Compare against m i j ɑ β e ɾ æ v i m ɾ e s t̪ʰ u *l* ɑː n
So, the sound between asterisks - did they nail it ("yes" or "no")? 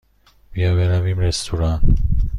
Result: no